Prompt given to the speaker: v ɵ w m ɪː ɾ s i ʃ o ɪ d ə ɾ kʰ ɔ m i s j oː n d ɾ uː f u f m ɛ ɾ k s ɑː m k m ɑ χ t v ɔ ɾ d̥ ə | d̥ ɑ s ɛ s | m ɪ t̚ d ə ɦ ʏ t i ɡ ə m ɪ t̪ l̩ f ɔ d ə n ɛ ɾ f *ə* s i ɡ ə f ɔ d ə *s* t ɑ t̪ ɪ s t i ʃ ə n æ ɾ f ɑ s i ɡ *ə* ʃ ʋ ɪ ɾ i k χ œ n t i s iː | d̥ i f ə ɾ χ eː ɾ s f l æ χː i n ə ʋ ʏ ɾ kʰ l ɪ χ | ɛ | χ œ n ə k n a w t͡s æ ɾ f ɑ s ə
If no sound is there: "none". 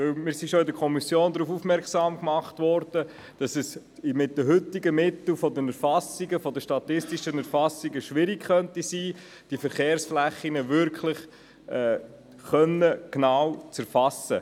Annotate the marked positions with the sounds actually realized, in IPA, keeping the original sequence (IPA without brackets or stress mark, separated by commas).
ɑ, ʃ, ə